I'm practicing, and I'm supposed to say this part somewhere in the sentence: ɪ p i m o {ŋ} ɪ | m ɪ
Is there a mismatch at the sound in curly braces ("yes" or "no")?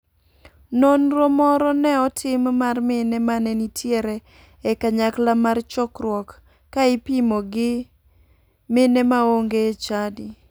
yes